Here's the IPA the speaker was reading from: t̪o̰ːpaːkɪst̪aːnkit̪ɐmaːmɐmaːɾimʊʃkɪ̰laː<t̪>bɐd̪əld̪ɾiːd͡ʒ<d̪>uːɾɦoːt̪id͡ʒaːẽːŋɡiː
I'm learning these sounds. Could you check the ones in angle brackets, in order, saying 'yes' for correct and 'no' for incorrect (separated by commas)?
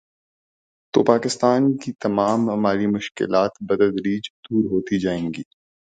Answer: yes, yes